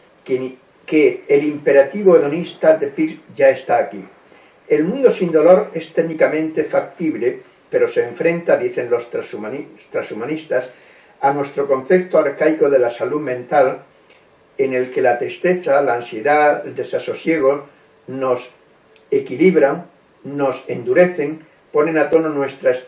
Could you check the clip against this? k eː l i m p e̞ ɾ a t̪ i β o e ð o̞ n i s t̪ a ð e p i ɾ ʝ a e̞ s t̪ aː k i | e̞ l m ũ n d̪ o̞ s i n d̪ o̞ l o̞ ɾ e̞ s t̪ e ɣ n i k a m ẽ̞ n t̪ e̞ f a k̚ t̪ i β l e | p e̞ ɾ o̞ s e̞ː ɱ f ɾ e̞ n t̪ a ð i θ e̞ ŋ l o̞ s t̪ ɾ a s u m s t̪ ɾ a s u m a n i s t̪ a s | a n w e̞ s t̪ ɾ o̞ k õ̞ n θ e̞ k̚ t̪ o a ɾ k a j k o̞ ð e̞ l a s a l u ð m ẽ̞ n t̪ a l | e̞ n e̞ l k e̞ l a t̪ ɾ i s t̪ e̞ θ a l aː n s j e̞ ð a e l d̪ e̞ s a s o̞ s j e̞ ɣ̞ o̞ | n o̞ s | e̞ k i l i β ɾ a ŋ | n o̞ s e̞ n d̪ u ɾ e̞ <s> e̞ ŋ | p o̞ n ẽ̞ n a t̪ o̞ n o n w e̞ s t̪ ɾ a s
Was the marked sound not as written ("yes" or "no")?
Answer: yes